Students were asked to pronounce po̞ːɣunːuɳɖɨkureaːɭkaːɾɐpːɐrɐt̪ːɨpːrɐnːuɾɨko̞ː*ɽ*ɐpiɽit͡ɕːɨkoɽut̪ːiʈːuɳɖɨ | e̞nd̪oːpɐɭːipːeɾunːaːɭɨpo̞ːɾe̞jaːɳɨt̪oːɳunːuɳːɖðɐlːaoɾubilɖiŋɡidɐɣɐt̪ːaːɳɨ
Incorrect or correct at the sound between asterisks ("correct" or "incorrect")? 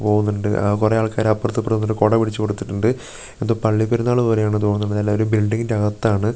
correct